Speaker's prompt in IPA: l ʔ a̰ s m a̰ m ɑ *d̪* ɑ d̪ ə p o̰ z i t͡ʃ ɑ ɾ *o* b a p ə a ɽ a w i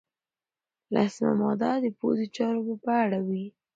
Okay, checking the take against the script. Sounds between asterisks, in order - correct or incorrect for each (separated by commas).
correct, correct